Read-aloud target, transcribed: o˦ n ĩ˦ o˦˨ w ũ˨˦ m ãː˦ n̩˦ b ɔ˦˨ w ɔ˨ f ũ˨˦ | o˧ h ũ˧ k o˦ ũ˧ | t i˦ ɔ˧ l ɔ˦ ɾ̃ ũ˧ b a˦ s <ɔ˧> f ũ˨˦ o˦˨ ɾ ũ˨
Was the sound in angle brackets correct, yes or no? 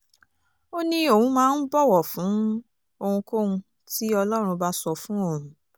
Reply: yes